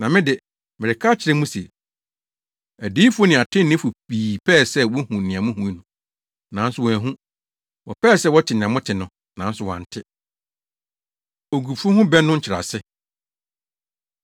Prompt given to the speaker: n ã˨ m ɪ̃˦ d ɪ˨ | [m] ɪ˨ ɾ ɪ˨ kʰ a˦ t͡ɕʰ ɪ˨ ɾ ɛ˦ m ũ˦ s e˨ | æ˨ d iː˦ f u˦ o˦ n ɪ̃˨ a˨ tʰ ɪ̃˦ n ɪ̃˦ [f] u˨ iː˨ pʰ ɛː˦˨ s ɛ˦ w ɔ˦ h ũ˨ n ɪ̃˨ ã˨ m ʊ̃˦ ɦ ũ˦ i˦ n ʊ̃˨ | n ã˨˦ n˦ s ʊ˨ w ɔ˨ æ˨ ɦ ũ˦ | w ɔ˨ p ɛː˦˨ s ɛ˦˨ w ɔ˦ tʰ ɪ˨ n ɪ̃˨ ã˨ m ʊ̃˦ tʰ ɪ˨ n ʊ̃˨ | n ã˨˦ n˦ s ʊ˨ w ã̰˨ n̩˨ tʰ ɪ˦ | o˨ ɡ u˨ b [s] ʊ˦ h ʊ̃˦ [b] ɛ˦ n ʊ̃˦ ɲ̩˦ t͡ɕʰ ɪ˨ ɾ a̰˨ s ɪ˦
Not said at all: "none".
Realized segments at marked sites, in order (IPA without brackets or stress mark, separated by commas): m, f, f, b